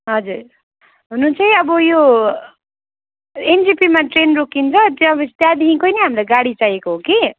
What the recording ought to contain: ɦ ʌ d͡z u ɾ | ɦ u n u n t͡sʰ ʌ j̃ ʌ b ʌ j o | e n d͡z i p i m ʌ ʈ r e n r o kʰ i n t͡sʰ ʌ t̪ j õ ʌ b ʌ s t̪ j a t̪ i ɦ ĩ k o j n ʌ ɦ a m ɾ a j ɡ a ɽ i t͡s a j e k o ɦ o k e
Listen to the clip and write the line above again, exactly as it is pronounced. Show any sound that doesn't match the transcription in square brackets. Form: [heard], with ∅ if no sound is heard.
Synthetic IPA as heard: ɦ ʌ d͡z u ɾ | ɦ u n u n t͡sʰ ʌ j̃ ʌ b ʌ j o | e n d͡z i p i m [a] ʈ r e n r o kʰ i n t͡sʰ ʌ t̪ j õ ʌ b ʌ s t̪ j a [d̪] i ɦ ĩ k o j n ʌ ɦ a m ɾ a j ɡ a ɽ i t͡s a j e k o ɦ o k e